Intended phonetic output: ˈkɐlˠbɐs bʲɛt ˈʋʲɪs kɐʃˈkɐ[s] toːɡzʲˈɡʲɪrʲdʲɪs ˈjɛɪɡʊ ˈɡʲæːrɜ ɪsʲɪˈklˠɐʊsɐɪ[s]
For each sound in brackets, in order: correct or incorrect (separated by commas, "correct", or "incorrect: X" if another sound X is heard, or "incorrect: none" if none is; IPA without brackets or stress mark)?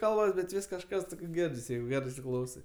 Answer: correct, incorrect: none